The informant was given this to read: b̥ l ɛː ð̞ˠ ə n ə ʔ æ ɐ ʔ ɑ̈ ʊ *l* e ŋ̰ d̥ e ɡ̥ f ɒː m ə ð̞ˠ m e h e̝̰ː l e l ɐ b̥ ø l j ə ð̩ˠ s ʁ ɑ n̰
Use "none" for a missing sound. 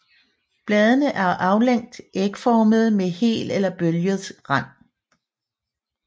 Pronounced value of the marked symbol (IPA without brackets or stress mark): l